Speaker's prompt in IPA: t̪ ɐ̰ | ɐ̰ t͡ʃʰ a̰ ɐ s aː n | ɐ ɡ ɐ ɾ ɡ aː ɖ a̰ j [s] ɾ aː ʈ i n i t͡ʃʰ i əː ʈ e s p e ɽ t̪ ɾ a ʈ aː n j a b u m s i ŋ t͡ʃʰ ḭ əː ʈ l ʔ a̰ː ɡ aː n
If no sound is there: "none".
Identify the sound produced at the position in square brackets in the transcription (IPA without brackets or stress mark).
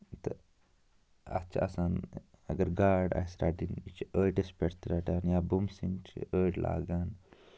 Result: s